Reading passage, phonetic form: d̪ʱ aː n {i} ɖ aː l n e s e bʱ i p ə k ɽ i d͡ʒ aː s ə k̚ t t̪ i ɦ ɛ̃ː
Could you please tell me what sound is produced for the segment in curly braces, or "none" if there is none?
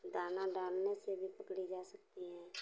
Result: a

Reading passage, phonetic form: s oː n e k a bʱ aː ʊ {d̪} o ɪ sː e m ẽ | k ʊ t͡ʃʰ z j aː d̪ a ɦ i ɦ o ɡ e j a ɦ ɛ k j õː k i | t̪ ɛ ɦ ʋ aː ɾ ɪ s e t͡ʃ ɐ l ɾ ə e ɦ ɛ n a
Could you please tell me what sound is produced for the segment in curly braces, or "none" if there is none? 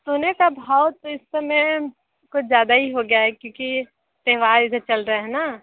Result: t̪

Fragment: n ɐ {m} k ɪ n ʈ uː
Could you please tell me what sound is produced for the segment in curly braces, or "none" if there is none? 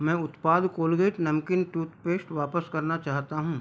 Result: m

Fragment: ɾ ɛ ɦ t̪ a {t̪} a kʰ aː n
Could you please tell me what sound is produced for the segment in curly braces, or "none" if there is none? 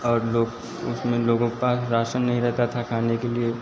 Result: t̪ʰ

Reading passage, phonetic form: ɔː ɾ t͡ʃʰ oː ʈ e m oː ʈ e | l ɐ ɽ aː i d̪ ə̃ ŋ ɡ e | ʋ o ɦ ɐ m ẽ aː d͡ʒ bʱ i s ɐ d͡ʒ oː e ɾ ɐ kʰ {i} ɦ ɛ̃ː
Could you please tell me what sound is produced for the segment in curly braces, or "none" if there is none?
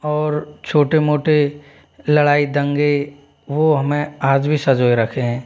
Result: e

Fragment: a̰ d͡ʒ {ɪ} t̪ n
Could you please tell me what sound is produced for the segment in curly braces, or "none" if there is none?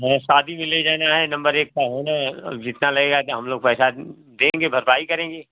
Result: ɪ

